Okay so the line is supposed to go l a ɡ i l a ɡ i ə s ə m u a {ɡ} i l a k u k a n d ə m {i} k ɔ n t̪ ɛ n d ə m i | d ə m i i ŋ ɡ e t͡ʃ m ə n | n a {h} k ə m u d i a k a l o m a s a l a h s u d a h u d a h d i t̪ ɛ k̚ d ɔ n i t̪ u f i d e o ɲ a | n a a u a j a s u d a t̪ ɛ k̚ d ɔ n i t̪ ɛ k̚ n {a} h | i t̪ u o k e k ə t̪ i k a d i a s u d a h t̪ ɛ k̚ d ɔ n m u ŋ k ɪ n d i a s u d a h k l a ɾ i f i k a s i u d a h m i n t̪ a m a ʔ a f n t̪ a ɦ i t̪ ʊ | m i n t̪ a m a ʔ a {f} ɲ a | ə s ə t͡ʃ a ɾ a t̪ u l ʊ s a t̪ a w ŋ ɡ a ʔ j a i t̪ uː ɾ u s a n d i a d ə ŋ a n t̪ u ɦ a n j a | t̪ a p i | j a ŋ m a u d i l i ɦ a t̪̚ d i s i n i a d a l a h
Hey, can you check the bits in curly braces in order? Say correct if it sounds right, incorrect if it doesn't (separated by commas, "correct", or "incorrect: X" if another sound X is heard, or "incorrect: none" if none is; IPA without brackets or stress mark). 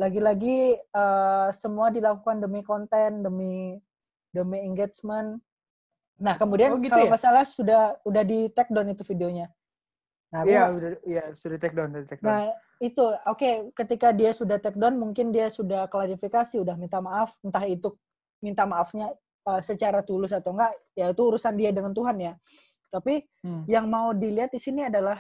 incorrect: d, correct, correct, correct, correct